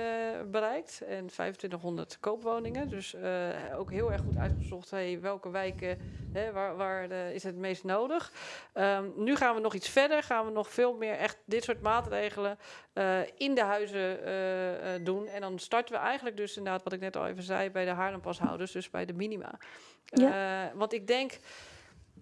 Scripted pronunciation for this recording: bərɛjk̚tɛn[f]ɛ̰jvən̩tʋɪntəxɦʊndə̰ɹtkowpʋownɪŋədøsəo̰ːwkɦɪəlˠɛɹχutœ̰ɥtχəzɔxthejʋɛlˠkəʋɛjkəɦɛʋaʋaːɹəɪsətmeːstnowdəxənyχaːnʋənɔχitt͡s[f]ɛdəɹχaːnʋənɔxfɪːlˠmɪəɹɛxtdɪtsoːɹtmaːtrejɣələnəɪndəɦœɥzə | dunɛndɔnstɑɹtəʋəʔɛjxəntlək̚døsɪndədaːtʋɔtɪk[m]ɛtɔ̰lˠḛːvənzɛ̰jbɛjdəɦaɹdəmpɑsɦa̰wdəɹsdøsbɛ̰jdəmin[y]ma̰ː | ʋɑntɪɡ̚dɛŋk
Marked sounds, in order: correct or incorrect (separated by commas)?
correct, correct, incorrect, incorrect